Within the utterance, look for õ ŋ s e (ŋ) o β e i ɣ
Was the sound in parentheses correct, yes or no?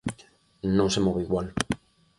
no